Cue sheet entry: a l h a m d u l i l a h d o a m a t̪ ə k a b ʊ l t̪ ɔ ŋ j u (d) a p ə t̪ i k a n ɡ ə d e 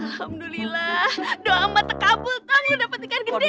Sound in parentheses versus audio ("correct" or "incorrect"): correct